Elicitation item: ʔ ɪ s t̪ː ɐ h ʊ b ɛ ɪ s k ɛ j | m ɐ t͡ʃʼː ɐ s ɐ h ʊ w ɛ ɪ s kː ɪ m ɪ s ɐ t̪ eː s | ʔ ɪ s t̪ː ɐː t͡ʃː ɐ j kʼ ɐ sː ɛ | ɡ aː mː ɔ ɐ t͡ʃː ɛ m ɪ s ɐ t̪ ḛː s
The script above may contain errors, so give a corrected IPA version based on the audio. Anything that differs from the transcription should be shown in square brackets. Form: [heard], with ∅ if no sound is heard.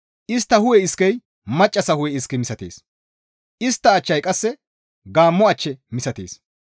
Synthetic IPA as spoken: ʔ ɪ s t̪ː ɐ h ʊ [w] ɛ ɪ s k ɛ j | m ɐ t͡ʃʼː ɐ s ɐ h ʊ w ɛ ɪ s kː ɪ m ɪ s ɐ t̪ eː s | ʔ ɪ s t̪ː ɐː t͡ʃː ɐ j kʼ ɐ sː ɛ | ɡ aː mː ɔ ɐ t͡ʃː ɛ m ɪ s ɐ t̪ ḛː s